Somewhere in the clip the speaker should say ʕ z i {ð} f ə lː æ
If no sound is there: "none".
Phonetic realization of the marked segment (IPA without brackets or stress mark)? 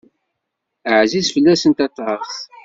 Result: z